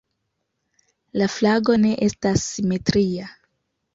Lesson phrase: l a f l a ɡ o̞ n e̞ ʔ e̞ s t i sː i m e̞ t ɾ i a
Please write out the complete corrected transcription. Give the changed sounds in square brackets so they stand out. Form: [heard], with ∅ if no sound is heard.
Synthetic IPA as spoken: l a f l a ɡ o̞ n e̞ ʔ e̞ s t [a] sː i m e̞ t ɾ i a